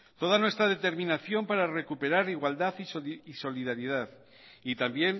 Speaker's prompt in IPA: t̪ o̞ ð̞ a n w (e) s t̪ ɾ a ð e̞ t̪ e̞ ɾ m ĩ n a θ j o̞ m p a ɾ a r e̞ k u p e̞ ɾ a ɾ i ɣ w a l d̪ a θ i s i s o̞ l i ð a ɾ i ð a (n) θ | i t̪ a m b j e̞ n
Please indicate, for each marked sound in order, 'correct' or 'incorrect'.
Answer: correct, incorrect

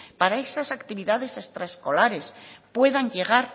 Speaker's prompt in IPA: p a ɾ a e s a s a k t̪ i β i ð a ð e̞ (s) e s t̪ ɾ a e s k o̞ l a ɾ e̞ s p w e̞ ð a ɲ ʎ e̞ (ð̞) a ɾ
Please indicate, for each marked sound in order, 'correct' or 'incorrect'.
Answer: correct, incorrect

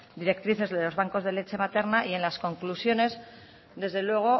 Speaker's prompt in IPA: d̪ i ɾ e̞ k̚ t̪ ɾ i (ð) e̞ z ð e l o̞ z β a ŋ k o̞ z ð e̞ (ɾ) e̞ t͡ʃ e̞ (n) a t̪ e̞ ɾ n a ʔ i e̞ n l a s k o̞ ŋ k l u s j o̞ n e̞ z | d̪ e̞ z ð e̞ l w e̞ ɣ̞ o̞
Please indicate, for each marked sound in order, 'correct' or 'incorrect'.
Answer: incorrect, incorrect, incorrect

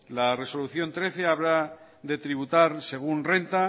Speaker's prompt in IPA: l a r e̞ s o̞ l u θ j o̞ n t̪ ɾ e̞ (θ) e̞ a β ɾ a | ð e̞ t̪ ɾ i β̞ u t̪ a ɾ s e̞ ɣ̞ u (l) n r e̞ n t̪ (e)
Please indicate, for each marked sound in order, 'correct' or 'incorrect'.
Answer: correct, incorrect, incorrect

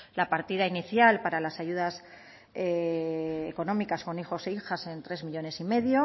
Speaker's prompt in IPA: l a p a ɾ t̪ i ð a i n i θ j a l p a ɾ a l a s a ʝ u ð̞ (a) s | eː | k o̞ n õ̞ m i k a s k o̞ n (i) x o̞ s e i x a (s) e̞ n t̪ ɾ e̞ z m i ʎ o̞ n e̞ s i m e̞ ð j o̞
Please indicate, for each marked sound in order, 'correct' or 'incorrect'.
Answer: correct, correct, correct

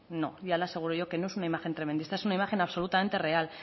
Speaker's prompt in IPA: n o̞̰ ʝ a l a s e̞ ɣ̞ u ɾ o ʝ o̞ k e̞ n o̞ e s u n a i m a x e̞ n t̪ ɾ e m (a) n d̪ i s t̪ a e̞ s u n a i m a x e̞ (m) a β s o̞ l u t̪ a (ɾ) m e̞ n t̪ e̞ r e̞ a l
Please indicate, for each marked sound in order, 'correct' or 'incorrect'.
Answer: incorrect, incorrect, incorrect

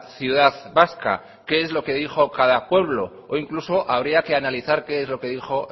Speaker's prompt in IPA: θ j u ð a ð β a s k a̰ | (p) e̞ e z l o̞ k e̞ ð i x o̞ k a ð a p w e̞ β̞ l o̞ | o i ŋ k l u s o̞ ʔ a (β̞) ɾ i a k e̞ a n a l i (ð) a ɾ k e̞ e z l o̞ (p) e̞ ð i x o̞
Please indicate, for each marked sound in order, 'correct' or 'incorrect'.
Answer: incorrect, correct, incorrect, incorrect

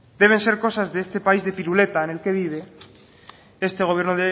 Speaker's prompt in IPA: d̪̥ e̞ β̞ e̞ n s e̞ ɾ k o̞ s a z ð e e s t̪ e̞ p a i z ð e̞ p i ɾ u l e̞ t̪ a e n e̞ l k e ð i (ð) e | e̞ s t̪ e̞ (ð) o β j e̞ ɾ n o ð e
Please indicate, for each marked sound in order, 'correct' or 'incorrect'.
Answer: correct, incorrect

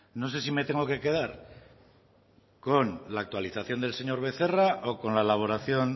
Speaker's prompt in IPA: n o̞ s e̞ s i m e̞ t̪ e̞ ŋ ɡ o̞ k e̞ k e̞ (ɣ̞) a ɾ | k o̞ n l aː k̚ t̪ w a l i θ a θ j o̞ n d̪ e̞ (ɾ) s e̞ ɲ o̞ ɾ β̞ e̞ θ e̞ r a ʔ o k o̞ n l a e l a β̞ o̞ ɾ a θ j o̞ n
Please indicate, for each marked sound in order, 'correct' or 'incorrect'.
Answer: incorrect, incorrect

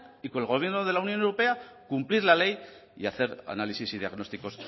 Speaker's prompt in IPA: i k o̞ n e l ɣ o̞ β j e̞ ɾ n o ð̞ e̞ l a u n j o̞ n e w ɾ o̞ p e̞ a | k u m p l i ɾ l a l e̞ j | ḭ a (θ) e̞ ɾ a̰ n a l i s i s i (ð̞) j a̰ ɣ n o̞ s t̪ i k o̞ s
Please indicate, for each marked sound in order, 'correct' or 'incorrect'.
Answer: correct, correct

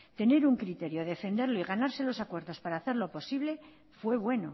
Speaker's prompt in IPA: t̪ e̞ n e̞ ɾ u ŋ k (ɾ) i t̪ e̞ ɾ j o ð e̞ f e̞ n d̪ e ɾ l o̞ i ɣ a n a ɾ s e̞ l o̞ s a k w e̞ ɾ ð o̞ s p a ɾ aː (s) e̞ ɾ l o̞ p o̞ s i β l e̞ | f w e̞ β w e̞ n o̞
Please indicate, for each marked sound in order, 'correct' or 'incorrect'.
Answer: correct, incorrect

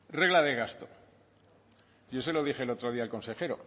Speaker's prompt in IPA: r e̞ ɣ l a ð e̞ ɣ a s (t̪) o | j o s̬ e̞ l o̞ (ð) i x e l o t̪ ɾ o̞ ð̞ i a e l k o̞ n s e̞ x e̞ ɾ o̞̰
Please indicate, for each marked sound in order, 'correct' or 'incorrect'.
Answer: correct, correct

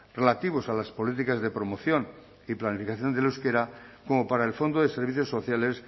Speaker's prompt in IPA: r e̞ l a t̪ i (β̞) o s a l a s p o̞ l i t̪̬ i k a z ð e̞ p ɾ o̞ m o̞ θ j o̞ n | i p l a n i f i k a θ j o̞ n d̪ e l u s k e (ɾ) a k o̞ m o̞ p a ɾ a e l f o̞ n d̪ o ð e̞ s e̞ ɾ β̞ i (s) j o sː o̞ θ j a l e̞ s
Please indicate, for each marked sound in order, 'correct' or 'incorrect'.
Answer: correct, correct, incorrect

